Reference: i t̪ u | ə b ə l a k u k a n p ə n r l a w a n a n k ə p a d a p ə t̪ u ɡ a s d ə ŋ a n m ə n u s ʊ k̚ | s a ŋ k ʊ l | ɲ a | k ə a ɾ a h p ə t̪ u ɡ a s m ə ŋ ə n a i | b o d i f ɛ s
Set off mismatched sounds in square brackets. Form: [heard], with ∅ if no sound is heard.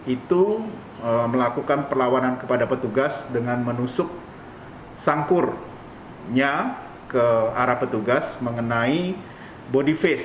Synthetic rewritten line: i t̪ u | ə [m] ə l a k u k a n p ə [∅] r l a w a n a n k ə p a d a p ə t̪ u ɡ a s d ə ŋ a n m ə n u s ʊ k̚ | s a ŋ k ʊ [r] | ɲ a | k ə a ɾ a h p ə t̪ u ɡ a s m ə ŋ ə n a i | b o d i f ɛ s